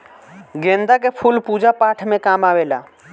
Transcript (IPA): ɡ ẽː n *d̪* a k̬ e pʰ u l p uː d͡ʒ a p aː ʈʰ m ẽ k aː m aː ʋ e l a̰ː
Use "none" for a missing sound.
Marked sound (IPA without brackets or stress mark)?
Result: d̪